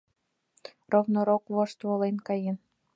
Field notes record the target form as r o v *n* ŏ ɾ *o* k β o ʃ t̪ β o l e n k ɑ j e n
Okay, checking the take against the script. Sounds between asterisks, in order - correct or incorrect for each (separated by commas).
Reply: correct, correct